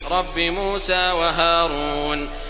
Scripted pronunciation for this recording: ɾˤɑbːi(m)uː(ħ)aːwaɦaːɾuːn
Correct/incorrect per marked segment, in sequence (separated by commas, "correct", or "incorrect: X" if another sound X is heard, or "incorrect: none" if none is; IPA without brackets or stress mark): correct, incorrect: s